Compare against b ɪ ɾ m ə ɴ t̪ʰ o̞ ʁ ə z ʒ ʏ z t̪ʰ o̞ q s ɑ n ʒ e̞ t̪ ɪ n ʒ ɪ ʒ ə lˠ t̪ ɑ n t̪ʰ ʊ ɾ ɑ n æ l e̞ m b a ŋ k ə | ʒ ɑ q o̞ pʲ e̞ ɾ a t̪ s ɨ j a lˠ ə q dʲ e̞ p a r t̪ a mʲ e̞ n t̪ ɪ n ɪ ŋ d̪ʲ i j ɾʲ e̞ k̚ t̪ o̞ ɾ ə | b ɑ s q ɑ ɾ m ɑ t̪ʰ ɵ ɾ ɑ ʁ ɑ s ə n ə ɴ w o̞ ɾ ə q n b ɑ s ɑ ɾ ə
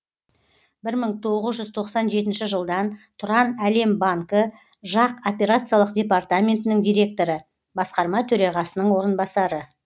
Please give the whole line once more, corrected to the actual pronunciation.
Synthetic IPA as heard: b ɪ ɾ m ə ɴ t̪ʰ o̞ ʁ ə z ʒ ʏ z t̪ʰ o̞ q s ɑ n ʒ e̞ t̪ ɪ n ʃ ɪ ʒ ə lˠ d̪ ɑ n t̪ʰ ʊ ɾ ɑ n æ l e̞ m b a ŋ k ə | ʒ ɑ q o̞ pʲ e̞ ɾ a t̪ s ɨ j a lˠ ə q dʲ e̞ p a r t̪ a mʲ e̞ n t̪ ɪ n ɪ ŋ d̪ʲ i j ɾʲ e̞ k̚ t̪ o̞ ɾ ə | b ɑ s q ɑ ɾ m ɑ t̪ʰ ɵ ɾ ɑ ʁ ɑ s ə n ə ɴ w o̞ ɾ ə n b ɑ s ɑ ɾ ə